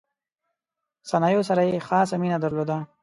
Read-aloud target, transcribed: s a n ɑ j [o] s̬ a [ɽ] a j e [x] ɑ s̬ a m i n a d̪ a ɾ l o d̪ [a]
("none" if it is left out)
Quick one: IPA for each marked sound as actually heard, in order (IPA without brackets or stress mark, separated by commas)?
o, ɾ, x, a